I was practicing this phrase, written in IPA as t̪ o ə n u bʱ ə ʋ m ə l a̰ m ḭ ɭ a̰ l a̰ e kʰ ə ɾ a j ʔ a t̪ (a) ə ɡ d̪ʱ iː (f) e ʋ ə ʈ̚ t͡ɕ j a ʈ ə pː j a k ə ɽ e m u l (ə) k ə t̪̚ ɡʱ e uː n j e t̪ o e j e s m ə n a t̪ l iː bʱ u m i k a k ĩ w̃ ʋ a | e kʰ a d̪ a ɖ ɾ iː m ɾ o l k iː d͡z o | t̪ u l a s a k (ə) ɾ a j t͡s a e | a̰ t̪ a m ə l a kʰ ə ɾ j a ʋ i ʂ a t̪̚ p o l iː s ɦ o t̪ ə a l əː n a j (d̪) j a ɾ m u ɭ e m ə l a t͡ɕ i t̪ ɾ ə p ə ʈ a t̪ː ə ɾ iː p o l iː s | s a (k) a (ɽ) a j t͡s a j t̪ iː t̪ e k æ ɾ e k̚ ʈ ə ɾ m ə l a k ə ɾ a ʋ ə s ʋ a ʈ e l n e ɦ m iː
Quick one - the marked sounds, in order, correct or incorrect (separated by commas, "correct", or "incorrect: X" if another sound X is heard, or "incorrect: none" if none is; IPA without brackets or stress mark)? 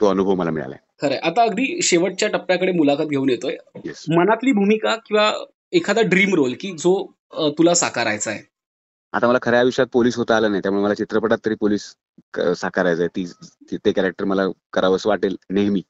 correct, incorrect: ɕ, incorrect: a, incorrect: a, incorrect: t̪, correct, incorrect: ɾ